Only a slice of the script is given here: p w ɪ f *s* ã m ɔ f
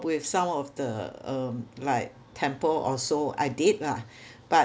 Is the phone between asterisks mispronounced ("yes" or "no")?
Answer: no